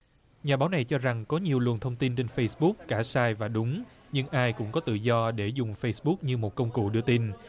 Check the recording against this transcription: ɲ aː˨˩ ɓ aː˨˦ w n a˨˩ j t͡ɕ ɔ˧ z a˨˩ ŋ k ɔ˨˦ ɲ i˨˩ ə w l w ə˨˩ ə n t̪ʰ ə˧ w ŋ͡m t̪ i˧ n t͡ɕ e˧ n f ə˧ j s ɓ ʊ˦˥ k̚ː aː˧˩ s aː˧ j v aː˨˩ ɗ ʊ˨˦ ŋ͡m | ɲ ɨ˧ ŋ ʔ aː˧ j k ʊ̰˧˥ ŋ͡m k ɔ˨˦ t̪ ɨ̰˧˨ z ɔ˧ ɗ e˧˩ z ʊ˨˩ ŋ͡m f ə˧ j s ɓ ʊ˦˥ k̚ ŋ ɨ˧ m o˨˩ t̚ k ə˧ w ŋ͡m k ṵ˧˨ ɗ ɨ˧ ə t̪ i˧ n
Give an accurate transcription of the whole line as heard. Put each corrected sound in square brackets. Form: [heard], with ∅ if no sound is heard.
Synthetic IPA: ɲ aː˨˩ ɓ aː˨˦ w n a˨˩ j t͡ɕ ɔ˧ z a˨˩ ŋ k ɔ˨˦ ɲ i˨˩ ə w l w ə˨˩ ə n t̪ʰ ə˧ w ŋ͡m t̪ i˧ n t͡ɕ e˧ n f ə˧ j s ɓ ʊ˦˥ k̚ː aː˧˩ s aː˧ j v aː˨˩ ɗ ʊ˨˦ ŋ͡m | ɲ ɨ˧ ŋ ʔ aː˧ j k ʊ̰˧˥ ŋ͡m k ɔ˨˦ t̪ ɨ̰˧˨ z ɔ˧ ɗ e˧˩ z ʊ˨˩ ŋ͡m f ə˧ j s ɓ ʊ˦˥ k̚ [ɲ] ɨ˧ m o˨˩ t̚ k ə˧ w ŋ͡m k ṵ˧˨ ɗ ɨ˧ ə t̪ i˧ n